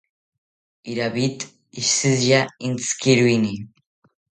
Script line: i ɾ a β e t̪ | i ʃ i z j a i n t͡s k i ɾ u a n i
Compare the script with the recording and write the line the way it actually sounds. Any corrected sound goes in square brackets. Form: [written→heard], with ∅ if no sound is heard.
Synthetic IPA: i ɾ a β [e→i] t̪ | i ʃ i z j a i n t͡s k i ɾ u [a→i] n i